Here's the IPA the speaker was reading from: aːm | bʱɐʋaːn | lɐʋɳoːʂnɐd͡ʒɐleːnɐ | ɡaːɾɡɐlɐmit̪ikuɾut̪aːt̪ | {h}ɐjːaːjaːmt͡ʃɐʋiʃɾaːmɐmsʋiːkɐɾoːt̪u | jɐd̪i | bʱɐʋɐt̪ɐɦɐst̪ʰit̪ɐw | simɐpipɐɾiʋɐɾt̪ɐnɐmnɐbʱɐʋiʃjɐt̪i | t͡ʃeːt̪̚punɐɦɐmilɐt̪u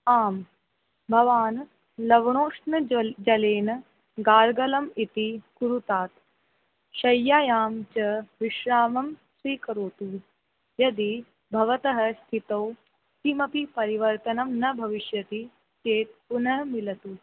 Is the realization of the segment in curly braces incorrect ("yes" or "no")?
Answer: yes